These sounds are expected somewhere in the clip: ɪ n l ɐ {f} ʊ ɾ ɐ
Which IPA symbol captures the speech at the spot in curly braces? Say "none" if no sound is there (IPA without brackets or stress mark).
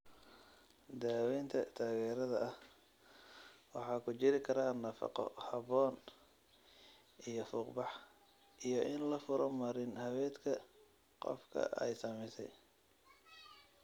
f